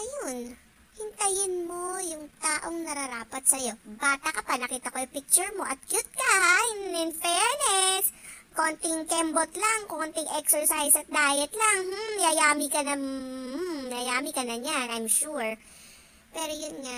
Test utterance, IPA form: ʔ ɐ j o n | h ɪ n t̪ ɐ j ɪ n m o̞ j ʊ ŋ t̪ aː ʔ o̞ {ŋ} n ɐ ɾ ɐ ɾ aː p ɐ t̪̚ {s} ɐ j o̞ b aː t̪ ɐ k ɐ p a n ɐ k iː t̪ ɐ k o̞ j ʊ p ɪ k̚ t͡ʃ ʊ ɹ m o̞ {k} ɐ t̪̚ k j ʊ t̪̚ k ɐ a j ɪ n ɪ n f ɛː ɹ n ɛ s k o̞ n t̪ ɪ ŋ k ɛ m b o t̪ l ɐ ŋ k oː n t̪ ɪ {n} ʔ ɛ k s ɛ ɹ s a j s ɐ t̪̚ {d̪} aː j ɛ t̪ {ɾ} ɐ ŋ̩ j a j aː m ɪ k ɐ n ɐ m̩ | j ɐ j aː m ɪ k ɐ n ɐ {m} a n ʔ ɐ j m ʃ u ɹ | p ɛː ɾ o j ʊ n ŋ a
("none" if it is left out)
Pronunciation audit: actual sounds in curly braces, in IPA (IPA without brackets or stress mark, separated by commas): ŋ, s, ʔ, ŋ, d̪, l, ɲ